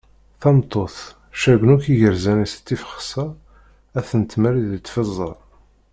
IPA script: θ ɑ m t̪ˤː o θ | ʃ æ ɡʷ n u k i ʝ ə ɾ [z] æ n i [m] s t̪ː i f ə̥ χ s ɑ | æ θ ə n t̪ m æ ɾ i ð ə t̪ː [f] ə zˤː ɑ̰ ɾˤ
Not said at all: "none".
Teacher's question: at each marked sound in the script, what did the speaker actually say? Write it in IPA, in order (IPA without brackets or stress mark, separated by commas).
z, none, f